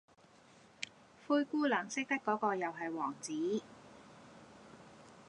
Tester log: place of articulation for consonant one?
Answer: labial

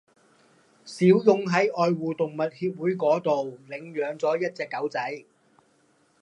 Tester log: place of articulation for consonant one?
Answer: alveolar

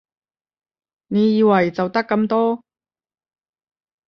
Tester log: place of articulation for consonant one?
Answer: alveolar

